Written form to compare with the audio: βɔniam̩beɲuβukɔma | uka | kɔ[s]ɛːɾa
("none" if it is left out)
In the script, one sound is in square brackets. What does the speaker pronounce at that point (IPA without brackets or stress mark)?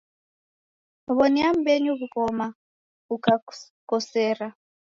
s